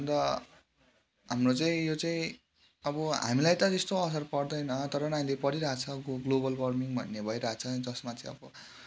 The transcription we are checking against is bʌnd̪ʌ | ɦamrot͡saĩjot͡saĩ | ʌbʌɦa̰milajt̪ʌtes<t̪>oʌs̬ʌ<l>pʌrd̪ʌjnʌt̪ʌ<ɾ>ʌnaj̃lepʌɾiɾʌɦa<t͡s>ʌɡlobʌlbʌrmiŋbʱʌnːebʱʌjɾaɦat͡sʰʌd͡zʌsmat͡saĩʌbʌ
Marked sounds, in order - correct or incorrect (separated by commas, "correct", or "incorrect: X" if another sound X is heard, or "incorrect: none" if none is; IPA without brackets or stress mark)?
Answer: correct, incorrect: r, correct, incorrect: t͡sʰ